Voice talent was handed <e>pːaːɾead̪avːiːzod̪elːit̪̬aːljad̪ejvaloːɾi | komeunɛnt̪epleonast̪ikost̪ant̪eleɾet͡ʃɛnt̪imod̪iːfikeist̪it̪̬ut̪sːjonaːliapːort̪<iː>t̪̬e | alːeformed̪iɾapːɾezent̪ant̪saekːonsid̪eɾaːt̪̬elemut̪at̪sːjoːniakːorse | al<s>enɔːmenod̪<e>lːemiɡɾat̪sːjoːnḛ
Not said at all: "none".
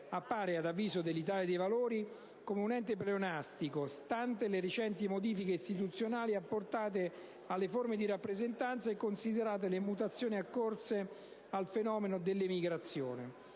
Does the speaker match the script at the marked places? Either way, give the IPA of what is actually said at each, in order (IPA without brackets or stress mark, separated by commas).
a, aː, f, e